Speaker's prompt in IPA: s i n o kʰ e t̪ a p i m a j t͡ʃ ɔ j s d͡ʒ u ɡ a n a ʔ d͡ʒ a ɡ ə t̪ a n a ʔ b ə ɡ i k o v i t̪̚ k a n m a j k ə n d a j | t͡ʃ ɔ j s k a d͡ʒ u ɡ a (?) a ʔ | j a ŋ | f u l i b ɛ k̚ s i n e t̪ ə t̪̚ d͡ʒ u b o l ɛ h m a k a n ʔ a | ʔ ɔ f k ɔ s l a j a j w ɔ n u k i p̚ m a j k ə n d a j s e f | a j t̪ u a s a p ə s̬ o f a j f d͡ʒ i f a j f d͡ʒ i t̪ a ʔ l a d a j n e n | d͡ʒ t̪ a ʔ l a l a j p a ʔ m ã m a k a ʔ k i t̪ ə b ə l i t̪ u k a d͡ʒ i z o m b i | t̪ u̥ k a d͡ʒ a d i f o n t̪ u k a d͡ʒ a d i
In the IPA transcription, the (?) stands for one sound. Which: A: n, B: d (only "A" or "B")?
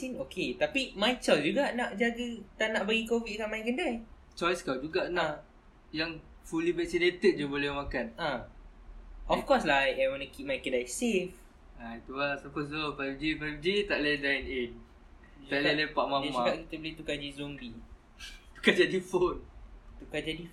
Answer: A